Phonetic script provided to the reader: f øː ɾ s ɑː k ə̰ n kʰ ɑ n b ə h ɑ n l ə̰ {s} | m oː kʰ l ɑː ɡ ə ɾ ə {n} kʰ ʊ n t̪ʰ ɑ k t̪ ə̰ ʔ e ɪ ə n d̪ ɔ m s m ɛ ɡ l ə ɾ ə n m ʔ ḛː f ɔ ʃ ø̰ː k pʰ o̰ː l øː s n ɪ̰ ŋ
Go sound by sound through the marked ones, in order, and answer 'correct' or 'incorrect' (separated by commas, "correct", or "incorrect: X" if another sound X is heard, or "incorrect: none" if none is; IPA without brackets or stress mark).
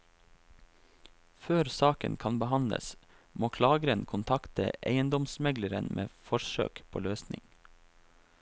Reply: correct, correct